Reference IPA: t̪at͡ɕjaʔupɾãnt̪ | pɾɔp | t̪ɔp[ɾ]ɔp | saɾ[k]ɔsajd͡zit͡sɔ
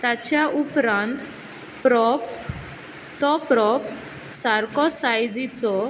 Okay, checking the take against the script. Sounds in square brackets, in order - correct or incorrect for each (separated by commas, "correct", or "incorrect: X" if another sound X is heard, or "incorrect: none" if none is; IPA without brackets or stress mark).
correct, correct